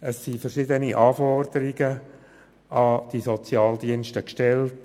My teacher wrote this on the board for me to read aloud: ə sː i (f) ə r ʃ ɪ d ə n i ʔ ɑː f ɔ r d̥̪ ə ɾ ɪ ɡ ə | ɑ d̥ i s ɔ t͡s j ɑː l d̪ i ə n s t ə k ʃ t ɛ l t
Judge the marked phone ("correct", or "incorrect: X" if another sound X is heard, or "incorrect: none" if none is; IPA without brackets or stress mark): correct